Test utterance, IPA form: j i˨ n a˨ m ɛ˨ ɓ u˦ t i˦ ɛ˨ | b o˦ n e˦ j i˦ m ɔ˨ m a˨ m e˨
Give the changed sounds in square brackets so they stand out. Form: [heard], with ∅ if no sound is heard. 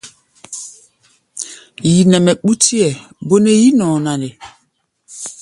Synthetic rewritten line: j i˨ n [ɛ˨] m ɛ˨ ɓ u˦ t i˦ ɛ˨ | b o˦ n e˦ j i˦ [n] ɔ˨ [n] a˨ [n] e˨